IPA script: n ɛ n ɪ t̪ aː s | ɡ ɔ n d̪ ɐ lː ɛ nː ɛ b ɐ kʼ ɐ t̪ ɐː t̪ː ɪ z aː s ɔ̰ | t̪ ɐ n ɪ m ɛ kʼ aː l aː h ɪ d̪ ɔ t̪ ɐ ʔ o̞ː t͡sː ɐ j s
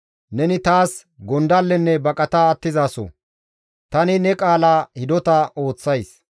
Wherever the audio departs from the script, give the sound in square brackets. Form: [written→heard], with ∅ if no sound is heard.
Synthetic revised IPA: n ɛ n ɪ t̪ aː s | ɡ ɔ n d̪ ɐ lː ɛ nː ɛ b ɐ kʼ ɐ t̪ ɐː t̪ː ɪ z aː s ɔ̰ | t̪ ɐ n ɪ [m→n] ɛ kʼ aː l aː h ɪ d̪ ɔ t̪ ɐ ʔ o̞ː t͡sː ɐ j s